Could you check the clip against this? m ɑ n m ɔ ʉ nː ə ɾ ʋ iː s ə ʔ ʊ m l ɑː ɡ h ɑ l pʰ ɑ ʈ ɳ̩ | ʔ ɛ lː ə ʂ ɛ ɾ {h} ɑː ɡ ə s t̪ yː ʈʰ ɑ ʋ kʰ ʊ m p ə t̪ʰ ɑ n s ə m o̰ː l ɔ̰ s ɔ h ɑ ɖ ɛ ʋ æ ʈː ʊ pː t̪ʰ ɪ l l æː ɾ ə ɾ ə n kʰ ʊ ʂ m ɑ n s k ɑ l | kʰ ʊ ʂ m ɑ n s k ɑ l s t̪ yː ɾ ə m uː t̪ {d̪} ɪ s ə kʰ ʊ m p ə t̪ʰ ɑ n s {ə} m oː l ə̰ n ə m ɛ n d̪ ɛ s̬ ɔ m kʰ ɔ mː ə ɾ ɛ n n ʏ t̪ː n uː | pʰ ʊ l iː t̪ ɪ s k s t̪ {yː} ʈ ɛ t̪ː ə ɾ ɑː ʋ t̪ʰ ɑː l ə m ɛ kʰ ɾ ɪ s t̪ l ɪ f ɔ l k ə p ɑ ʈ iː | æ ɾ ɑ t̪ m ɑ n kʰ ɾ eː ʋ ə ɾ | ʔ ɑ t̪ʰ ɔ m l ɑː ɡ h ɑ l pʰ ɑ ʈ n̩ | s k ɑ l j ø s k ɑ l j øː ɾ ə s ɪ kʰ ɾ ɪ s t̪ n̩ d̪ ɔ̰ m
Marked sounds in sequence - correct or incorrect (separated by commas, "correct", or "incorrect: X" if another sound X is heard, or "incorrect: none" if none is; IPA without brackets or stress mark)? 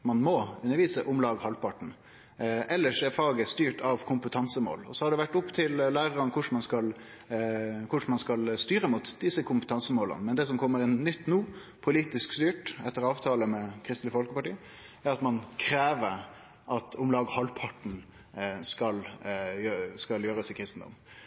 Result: incorrect: f, correct, correct, correct